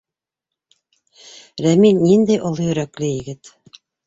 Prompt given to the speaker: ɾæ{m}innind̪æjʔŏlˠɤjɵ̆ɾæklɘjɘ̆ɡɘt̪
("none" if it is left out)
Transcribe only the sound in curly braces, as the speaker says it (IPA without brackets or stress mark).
m